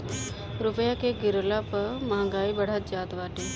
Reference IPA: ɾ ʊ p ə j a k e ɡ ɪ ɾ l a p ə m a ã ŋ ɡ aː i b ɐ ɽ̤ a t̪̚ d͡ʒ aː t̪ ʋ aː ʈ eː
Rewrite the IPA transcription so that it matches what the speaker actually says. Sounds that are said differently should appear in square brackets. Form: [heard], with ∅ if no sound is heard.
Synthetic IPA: ɾ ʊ p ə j a k e ɡ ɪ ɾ l a p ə m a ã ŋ ɡ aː i b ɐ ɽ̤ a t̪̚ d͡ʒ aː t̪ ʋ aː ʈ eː